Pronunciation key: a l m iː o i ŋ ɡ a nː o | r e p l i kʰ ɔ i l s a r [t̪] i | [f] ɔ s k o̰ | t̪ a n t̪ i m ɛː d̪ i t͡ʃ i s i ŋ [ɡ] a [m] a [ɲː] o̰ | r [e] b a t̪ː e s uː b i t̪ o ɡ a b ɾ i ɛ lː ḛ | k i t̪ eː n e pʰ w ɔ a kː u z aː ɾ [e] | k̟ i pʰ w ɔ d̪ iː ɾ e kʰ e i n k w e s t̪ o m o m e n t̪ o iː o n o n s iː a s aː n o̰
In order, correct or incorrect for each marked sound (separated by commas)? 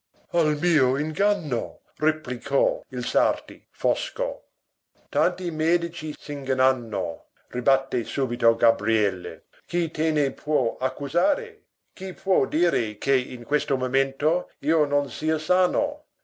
correct, correct, correct, incorrect, incorrect, incorrect, correct